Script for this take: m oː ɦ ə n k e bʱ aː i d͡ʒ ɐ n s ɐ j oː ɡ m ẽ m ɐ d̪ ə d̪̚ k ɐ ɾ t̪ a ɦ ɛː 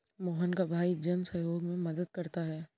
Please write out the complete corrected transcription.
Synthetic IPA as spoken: m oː ɦ ə n k a bʱ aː i d͡ʒ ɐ n s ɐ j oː ɡ m ẽ m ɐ d̪ ə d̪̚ k ɐ ɾ t̪ a ɦ ɛː